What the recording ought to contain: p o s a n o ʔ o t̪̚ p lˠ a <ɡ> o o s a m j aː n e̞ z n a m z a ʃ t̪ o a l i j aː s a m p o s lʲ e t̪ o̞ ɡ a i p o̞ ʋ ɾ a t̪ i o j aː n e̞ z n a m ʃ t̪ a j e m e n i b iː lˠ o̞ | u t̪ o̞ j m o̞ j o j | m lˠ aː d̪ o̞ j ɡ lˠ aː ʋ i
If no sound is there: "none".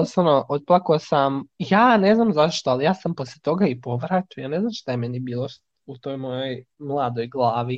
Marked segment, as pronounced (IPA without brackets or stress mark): k